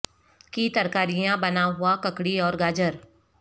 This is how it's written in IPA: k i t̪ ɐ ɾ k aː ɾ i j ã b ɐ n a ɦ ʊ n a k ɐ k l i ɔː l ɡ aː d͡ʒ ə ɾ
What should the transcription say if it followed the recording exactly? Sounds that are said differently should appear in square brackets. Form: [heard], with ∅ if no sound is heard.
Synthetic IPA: k i t̪ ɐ ɾ k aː ɾ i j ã b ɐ n a ɦ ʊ [∅] a k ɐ k [ɽ] i ɔː [ɾ] ɡ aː d͡ʒ ə ɾ